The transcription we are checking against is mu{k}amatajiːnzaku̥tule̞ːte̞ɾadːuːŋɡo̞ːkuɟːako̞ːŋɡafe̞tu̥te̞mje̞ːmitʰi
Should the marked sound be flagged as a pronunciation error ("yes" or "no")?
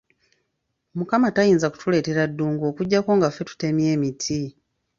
no